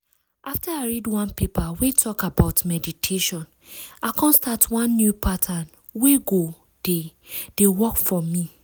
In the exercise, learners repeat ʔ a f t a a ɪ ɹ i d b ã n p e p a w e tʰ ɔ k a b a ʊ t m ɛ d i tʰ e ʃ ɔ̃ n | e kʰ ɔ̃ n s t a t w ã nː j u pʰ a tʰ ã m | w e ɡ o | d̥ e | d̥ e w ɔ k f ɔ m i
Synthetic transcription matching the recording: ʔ a f t a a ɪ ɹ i d w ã n p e p a w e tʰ ɔ k a b a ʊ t m ɛ d i tʰ e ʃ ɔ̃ n | a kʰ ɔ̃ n s t a t w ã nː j u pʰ a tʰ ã n | w e ɡ o | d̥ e | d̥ e w ɔ k f ɔ m i